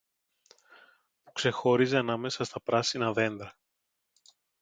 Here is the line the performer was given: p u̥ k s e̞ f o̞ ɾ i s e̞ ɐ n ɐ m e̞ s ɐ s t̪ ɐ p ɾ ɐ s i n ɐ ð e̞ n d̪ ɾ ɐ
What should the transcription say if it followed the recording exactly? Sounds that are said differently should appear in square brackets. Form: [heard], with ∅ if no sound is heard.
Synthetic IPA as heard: p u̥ k s e̞ [x] o̞ ɾ i [z] e̞ ɐ n ɐ m e̞ s ɐ s t̪ ɐ p ɾ ɐ s i n ɐ ð e̞ n d̪ ɾ ɐ